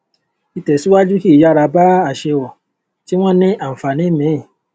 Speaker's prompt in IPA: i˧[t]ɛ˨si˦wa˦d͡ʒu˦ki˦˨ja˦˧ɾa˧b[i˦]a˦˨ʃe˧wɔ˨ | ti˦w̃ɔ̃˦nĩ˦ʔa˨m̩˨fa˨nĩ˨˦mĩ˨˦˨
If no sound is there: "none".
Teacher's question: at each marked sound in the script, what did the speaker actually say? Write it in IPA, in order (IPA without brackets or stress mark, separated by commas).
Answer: t, a˦